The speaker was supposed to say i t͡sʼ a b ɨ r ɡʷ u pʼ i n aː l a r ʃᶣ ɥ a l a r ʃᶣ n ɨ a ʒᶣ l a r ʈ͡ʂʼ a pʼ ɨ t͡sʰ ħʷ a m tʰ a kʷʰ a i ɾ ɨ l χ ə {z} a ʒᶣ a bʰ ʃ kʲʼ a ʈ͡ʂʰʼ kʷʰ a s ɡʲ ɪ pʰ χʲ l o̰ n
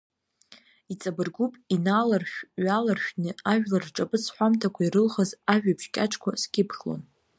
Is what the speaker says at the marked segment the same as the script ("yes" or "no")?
yes